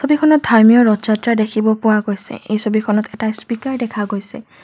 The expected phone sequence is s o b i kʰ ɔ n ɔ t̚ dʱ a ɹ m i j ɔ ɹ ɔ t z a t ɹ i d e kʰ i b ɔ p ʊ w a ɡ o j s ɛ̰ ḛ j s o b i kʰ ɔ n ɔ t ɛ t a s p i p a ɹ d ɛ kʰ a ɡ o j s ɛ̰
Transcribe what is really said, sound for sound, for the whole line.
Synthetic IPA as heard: s o b i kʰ ɔ n ɔ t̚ dʱ a ɹ m i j ɔ ɹ ɔ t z a t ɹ a d e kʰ i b ɔ p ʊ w a ɡ o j s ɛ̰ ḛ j s o b i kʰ ɔ n ɔ t ɛ t a s p i k a ɹ d ɛ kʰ a ɡ o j s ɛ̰